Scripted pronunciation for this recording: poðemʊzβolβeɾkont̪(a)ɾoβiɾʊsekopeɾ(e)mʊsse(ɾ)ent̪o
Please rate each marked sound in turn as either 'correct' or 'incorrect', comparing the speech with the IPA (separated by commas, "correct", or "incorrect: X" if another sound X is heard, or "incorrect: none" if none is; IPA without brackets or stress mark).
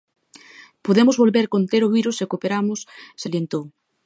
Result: incorrect: e, incorrect: a, incorrect: l